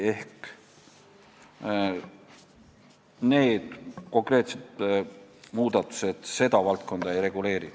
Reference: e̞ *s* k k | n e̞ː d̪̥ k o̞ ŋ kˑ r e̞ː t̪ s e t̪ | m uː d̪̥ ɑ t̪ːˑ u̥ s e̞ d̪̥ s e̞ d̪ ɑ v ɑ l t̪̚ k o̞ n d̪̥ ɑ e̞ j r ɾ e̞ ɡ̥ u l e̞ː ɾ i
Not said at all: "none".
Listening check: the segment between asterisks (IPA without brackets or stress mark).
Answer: h